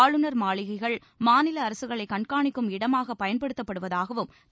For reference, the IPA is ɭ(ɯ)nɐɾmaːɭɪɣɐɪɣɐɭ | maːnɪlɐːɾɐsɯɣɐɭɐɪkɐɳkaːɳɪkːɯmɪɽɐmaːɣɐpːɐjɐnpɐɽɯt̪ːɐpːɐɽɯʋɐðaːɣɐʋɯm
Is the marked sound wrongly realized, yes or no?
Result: no